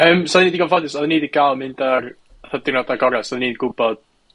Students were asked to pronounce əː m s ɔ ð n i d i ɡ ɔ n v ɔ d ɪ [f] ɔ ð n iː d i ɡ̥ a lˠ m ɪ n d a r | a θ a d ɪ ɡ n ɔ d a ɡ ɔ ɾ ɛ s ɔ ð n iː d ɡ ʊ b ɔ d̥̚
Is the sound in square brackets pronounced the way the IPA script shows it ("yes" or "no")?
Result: no